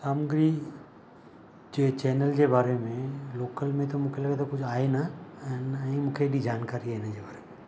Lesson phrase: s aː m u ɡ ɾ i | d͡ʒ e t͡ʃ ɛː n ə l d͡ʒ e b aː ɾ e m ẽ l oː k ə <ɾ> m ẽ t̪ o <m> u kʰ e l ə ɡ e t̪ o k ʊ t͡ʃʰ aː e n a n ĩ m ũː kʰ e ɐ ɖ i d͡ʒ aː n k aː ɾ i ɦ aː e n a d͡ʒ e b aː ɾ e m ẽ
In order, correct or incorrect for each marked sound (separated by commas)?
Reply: incorrect, correct